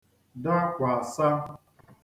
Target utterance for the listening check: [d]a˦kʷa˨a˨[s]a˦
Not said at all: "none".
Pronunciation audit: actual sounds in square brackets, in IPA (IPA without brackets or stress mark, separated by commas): d, s